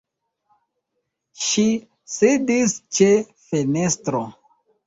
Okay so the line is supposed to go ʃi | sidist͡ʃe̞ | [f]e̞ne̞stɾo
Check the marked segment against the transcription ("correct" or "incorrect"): correct